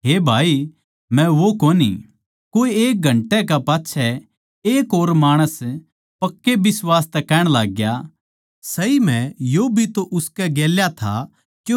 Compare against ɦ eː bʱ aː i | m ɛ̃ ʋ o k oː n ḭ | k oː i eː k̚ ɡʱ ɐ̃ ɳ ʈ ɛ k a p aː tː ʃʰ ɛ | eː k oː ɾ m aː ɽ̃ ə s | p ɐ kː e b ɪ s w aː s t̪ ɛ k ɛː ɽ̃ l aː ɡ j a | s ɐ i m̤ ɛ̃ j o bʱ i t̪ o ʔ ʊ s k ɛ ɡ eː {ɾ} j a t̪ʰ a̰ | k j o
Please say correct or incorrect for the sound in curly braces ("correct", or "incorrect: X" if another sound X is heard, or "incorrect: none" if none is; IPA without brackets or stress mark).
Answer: incorrect: l